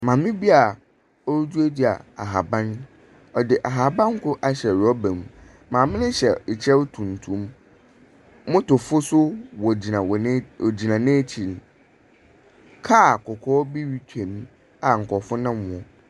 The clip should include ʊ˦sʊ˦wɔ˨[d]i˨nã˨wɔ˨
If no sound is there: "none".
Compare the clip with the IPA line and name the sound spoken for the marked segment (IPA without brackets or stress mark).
d͡ʑ